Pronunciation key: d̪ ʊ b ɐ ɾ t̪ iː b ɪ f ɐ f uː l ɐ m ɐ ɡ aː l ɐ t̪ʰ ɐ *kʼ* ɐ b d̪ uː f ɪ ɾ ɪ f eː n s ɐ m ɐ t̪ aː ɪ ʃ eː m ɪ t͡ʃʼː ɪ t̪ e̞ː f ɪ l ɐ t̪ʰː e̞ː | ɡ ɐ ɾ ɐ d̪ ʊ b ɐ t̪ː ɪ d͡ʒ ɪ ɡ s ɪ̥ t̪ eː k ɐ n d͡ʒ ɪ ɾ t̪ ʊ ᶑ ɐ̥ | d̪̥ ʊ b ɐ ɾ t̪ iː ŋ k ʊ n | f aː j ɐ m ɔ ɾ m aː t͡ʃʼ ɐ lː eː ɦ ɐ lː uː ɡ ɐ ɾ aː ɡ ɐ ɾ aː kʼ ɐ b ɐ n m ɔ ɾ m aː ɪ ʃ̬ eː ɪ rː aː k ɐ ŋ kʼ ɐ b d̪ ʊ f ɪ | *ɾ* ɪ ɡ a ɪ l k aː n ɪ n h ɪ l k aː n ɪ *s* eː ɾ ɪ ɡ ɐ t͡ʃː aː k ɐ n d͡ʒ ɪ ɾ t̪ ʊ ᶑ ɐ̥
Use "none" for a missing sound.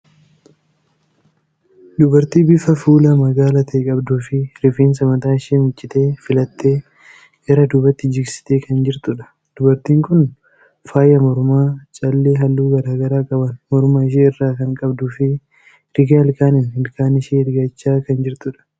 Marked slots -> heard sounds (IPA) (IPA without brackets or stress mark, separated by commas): kʼ, ɾ, ʃ